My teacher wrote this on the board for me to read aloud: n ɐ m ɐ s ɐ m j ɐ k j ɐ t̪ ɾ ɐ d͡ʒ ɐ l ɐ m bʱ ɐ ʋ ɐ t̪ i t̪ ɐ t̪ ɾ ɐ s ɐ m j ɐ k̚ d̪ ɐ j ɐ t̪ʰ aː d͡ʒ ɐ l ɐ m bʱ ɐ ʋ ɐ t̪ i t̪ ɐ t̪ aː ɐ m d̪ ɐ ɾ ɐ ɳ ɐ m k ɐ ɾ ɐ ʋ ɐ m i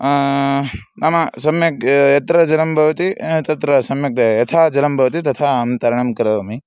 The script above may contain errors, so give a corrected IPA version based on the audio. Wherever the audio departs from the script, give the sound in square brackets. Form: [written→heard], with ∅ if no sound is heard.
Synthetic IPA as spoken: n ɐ m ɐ s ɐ m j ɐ k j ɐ t̪ ɾ ɐ d͡ʒ ɐ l ɐ m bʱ ɐ ʋ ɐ t̪ i t̪ ɐ t̪ ɾ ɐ s ɐ m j ɐ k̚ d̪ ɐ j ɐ t̪ʰ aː d͡ʒ ɐ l ɐ m bʱ ɐ ʋ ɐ t̪ i t̪ ɐ [t̪→t̪ʰ] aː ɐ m [d̪→t̪] ɐ ɾ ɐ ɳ ɐ m k ɐ ɾ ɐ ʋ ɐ m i